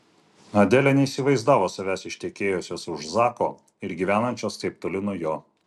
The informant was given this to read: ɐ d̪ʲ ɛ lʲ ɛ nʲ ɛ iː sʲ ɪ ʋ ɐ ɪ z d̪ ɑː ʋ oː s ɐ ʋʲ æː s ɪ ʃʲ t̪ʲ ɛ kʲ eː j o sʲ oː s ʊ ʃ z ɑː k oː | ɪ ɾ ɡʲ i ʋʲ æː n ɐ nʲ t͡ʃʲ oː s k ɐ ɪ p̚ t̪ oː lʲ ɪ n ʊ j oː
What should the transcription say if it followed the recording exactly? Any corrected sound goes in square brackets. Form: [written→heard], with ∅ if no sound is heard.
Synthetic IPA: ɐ d̪ʲ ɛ lʲ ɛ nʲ ɛ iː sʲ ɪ ʋ ɐ ɪ z d̪ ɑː ʋ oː s ɐ ʋʲ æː s ɪ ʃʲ t̪ʲ ɛ kʲ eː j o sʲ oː s ʊ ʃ z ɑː k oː | ɪ ɾ ɡʲ i ʋʲ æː n ɐ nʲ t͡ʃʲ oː s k ɐ ɪ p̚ t̪ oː lʲ ɪ n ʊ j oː